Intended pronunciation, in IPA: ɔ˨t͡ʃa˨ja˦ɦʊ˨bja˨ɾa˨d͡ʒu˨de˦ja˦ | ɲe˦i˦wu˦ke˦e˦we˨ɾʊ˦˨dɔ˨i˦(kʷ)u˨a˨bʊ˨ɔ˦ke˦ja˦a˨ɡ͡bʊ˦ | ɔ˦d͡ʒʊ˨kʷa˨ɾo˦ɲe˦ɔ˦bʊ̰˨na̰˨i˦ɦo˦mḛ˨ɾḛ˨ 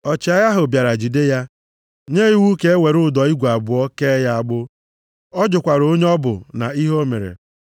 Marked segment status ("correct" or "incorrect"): incorrect